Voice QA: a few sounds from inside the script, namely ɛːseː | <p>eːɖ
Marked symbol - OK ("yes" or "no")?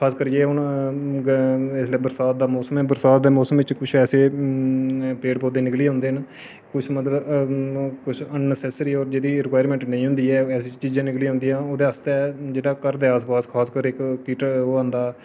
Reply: yes